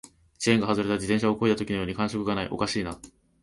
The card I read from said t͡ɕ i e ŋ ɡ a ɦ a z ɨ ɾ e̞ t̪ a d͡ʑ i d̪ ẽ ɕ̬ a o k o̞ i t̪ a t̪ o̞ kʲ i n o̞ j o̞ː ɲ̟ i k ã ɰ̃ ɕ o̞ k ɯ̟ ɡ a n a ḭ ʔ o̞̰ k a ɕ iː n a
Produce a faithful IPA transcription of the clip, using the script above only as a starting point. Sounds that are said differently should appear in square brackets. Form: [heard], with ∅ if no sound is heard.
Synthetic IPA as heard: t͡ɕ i e ŋ ɡ a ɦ a z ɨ ɾ e̞ t̪ a d͡ʑ i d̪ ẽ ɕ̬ a o k o̞ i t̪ a t̪ o̞ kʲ i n o̞ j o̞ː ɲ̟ i k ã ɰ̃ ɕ o̞ k ɯ̟ ɡ a n a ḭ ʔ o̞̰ k a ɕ iː n a